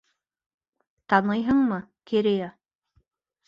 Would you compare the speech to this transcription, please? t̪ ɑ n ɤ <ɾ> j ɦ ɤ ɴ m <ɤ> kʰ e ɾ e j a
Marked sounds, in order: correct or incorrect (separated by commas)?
incorrect, correct